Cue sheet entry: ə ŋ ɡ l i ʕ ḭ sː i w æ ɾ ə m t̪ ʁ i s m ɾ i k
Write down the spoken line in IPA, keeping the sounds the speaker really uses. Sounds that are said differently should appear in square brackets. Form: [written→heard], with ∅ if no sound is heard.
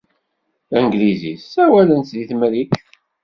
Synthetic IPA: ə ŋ ɡ l i [ʕ→z] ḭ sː [i→æ] w æ [ɾ→l] ə [m→n] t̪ [ʁ→ð] i [s→θ] m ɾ i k